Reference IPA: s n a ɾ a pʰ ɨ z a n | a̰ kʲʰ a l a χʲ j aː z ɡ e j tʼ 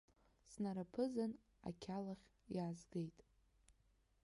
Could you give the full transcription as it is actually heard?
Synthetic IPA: s n a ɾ a pʰ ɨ z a n | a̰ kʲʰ a l a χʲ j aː z ɡ e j tʼ